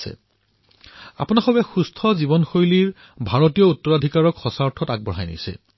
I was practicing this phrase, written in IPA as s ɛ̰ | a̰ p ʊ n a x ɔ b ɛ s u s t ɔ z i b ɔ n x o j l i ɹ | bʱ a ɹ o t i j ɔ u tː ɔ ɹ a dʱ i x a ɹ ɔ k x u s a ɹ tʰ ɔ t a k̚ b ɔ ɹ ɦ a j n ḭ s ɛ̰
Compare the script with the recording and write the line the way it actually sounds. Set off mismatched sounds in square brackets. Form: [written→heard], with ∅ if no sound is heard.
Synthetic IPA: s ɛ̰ | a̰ p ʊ n a x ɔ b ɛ [s→x] u s [t→tʰ] ɔ z i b ɔ n x o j l i ɹ | bʱ a ɹ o t i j ɔ u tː ɔ ɹ a dʱ i [x→k] a ɹ ɔ k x [u→ɔ] s a ɹ tʰ ɔ t a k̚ b ɔ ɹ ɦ a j n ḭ s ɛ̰